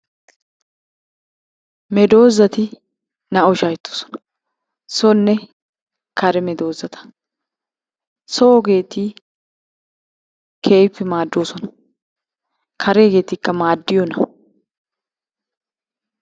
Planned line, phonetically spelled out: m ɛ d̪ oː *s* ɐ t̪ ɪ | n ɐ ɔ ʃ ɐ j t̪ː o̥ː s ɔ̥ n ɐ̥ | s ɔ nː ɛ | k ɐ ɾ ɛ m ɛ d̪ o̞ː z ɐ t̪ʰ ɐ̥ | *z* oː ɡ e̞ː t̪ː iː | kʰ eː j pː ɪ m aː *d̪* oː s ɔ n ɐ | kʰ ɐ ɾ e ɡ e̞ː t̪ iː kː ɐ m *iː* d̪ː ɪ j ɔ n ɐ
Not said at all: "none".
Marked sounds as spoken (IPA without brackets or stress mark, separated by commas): z, s, d̪ː, aː